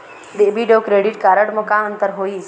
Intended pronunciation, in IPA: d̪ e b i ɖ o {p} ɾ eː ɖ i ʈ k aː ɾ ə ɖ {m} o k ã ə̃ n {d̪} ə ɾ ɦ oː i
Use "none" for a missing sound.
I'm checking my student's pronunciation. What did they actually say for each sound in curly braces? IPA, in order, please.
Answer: k, m, t̪

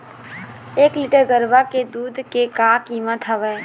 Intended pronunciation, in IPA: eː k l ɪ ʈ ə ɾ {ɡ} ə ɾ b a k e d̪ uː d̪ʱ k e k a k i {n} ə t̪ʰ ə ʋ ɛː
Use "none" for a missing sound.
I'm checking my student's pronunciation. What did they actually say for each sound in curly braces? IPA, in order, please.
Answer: ɡ, m

